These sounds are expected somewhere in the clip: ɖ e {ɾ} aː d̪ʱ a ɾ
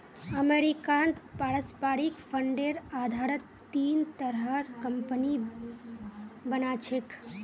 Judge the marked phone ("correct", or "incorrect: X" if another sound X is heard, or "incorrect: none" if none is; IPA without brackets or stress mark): correct